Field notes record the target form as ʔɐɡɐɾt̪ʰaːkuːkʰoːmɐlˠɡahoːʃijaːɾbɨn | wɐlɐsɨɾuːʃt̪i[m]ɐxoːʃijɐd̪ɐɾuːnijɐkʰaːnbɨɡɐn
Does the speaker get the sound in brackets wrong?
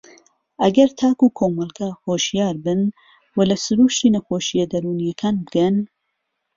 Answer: yes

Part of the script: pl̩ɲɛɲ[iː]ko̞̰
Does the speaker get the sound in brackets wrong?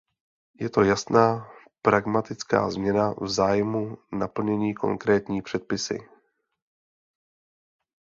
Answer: no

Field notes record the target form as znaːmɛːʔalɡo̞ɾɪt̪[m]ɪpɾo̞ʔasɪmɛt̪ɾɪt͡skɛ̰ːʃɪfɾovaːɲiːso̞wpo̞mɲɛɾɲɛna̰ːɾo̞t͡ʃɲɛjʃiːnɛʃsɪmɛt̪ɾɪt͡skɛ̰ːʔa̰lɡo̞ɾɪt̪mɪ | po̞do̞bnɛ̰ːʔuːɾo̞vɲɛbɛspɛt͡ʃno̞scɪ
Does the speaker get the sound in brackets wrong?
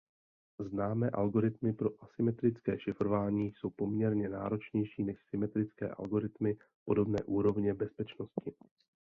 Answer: no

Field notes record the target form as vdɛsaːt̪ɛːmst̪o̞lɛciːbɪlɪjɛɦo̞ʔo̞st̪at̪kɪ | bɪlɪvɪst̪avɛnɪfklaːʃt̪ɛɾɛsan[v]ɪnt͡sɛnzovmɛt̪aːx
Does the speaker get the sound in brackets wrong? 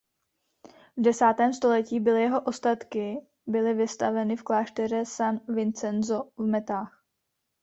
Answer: no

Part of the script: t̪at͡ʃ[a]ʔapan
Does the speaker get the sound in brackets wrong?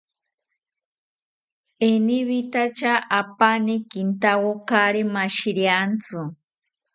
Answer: no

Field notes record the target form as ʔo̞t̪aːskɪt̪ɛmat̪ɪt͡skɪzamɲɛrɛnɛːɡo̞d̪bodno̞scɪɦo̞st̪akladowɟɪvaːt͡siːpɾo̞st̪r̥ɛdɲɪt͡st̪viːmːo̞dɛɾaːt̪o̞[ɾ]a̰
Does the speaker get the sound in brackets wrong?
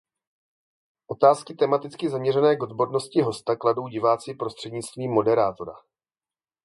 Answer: no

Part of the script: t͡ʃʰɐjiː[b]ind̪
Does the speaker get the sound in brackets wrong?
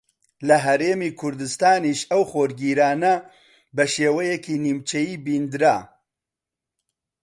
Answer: no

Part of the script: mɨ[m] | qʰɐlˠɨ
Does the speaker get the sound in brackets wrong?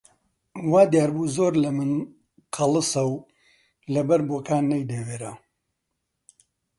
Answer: yes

